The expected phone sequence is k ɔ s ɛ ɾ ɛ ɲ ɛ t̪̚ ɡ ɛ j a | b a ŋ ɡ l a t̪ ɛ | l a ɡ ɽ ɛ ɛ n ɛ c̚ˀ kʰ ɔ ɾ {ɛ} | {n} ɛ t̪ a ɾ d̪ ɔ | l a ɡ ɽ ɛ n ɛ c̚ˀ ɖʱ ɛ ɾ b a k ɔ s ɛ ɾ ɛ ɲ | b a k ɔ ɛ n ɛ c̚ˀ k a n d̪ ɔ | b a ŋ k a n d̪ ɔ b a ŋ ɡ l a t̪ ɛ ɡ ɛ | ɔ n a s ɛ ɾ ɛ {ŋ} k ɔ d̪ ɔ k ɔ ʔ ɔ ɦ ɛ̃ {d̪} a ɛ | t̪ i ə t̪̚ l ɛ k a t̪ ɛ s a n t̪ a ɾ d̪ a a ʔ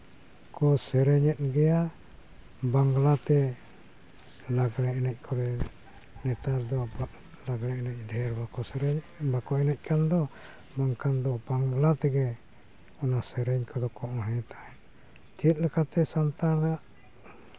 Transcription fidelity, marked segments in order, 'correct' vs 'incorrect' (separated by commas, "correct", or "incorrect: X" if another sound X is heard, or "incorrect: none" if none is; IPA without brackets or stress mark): correct, correct, incorrect: ɲ, incorrect: t̪